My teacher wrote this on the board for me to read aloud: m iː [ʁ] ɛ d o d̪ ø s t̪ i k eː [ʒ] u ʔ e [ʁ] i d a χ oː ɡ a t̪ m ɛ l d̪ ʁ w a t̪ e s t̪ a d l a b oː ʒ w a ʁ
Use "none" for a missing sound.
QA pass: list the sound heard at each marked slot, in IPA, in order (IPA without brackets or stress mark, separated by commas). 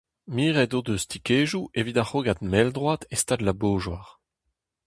ʁ, ʒ, v